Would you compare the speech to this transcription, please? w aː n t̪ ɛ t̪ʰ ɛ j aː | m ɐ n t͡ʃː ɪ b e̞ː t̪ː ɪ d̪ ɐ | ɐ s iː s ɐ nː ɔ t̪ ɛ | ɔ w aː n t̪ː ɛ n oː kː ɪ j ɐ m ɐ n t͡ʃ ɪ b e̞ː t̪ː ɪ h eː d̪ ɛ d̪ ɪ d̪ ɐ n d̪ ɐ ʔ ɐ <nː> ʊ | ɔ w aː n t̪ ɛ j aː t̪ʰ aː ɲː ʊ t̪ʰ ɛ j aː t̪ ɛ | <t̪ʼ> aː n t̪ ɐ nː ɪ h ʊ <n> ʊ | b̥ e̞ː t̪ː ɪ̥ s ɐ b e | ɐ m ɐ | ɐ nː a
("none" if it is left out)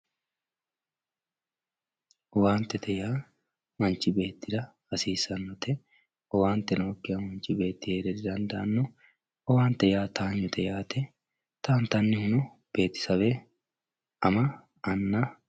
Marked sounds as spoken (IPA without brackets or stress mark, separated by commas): nː, t̪, n